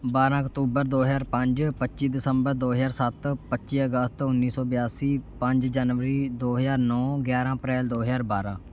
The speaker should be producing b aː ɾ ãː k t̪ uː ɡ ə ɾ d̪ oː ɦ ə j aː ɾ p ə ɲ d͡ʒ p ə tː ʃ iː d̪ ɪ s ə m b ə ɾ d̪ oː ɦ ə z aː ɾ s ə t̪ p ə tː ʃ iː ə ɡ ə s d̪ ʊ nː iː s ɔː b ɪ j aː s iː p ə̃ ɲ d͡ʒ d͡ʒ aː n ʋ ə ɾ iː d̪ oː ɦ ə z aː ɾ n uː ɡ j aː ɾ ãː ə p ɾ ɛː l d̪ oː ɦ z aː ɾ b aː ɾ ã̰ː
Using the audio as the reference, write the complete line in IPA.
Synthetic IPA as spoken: b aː ɾ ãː k t̪ uː b ə ɾ d̪ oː ɦ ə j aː ɾ p ə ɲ d͡ʒ p ə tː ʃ iː d̪ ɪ s ə m b ə ɾ d̪ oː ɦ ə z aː ɾ s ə t̪ p ə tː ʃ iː ə ɡ ə s t̪ ʊ nː iː s ɔː b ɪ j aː s iː p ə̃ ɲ d͡ʒ d͡ʒ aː n ʋ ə ɾ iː d̪ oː ɦ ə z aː ɾ n ɔː ɡ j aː ɾ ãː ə p ɾ ɛː l d̪ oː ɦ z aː ɾ b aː ɾ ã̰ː